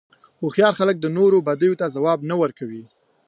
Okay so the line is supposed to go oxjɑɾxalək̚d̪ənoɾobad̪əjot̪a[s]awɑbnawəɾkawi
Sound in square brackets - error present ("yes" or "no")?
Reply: yes